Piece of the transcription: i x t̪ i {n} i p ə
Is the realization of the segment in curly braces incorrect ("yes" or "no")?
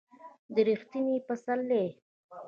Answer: no